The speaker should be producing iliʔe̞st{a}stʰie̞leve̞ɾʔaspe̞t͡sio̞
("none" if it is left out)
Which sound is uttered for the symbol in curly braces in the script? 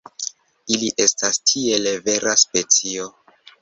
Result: a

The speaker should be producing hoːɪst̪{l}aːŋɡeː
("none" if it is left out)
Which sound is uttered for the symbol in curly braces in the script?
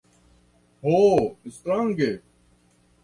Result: ɾ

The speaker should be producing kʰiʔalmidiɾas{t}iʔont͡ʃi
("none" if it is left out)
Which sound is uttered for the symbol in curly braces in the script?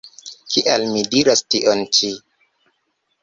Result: t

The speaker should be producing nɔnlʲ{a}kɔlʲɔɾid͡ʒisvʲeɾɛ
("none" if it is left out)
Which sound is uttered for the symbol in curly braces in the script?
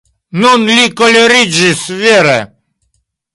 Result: i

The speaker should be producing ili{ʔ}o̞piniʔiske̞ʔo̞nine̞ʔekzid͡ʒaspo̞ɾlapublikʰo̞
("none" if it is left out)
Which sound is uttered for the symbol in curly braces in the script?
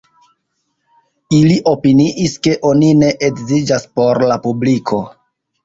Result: ʔ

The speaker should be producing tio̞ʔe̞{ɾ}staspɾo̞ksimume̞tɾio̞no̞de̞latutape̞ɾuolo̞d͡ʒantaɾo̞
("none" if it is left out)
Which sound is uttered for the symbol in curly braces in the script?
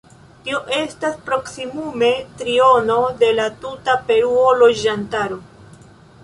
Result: none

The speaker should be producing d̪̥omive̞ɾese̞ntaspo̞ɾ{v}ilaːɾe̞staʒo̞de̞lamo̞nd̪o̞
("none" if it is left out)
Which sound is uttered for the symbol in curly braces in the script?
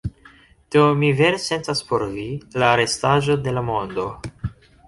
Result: v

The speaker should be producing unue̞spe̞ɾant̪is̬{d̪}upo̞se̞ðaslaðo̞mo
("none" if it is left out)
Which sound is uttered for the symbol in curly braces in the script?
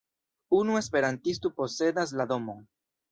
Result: t̪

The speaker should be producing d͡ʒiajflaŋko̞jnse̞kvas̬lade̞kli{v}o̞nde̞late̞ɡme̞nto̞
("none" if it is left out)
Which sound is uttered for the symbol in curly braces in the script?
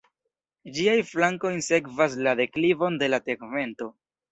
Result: v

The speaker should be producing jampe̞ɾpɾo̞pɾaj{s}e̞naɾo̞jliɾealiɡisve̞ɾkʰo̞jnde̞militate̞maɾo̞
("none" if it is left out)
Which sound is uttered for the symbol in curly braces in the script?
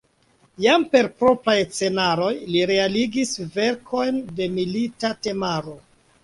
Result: t͡s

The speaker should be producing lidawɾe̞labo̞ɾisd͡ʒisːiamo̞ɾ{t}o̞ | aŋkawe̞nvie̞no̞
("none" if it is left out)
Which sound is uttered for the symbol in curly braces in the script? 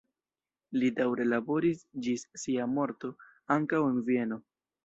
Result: t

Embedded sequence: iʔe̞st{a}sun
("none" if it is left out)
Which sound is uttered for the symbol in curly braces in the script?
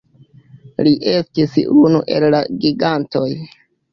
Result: i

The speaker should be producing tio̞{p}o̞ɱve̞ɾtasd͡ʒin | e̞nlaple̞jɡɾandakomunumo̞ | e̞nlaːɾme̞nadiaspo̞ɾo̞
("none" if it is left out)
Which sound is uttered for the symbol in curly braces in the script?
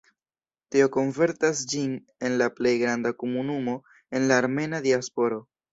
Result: k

